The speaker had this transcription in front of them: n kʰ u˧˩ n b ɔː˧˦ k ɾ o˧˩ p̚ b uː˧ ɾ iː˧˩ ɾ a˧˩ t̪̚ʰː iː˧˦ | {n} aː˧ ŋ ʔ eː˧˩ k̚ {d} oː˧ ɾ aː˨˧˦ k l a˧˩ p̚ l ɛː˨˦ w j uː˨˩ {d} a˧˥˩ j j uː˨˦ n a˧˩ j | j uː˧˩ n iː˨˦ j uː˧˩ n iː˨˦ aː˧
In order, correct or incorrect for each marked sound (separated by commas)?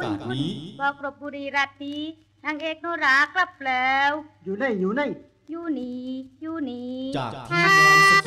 correct, incorrect, incorrect